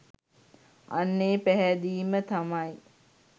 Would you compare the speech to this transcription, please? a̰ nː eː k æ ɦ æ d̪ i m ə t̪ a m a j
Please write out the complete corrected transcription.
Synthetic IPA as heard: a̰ nː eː p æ ɦ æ d̪ iː m ə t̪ a m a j